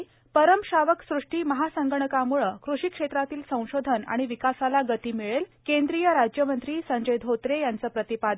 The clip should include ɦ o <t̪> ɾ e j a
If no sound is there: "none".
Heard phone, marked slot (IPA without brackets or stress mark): t̪